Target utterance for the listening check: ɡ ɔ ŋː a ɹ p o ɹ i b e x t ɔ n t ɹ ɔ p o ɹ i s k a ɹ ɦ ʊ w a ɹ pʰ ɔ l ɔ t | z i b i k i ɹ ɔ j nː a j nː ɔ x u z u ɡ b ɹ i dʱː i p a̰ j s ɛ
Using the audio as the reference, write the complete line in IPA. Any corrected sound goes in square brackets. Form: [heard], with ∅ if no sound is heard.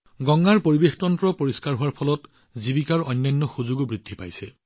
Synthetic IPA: ɡ ɔ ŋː a ɹ p o ɹ i b e x t ɔ n t ɹ ɔ p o ɹ i s k a ɹ ɦ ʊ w a ɹ pʰ ɔ l ɔ t | z i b i k [a] ɹ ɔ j nː a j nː ɔ x u z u ɡ b ɹ i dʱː i p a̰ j s ɛ